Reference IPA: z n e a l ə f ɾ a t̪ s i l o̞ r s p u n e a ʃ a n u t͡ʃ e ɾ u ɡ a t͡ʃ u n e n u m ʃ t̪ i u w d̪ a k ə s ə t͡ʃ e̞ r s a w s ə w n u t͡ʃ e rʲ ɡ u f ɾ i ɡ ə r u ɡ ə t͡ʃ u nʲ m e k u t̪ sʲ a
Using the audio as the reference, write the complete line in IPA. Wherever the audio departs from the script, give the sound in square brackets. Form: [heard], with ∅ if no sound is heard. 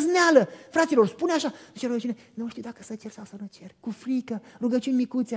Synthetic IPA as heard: z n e a l ə f ɾ a t̪ s i l o̞ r s p u n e a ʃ a n u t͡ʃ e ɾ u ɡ [ə] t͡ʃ u n e n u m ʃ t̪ i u w d̪ a k ə s ə t͡ʃ e̞ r s a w s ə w n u t͡ʃ e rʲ [k] u f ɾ i [k] ə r u ɡ ə t͡ʃ u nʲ m [i] k u t̪ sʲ a